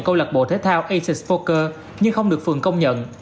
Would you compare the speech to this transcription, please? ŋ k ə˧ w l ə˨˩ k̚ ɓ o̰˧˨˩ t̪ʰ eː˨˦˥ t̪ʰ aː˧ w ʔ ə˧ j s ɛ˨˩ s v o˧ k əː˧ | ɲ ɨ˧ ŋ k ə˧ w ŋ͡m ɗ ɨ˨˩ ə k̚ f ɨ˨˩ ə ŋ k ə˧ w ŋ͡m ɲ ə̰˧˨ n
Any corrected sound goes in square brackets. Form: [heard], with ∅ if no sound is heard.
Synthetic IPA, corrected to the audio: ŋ k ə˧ w l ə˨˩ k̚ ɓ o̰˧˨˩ t̪ʰ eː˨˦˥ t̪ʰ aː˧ w ʔ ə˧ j s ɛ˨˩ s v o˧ k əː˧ | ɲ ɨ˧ ŋ [x] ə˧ w ŋ͡m ɗ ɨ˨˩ ə k̚ f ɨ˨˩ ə ŋ k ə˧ w ŋ͡m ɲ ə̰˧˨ n